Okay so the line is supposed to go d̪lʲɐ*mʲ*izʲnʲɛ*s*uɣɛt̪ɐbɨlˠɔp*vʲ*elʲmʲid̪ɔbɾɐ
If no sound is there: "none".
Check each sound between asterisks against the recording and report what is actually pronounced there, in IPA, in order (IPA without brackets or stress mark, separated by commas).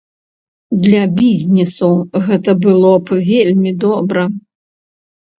bʲ, s, vʲ